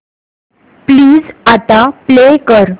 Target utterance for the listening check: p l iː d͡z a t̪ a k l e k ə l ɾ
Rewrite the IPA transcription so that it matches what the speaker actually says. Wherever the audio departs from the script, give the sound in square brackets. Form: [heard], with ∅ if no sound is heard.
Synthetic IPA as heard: p l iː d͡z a t̪ a [p] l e k ə [∅] ɾ